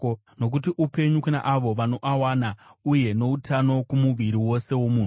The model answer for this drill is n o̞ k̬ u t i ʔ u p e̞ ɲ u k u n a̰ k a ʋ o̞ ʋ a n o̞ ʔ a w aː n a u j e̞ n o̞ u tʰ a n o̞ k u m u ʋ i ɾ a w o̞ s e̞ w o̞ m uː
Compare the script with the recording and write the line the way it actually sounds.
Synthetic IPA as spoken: n o̞ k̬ u t i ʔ u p e̞ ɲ u k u n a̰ ʔ a ʋ o̞ ʋ a n o̞ ʔ a w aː n a u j e̞ n o̞ u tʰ a n o̞ k u m u ʋ i ɾ i w o̞ s e̞ w o̞ m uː